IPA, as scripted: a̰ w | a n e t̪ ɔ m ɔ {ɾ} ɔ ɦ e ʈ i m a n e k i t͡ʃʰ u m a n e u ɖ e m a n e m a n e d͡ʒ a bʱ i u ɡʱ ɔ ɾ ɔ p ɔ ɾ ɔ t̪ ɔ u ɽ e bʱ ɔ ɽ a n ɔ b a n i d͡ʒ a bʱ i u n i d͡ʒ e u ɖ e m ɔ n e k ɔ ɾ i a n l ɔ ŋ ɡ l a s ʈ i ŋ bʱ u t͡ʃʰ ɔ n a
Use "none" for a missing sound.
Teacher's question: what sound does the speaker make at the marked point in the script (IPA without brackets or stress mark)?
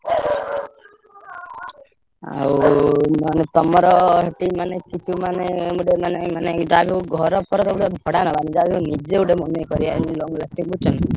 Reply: ɾ